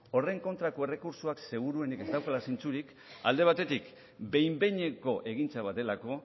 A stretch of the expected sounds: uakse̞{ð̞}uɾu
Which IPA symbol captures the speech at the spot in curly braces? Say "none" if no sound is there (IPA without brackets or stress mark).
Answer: ɣ̞